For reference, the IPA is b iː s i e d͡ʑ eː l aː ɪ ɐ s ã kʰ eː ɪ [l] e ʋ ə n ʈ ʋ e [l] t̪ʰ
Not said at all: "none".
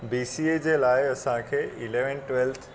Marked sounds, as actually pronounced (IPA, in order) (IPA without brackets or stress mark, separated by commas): l, l